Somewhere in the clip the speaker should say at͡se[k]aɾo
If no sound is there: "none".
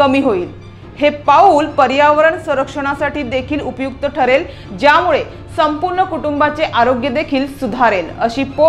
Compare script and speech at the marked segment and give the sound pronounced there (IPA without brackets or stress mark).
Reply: ʔ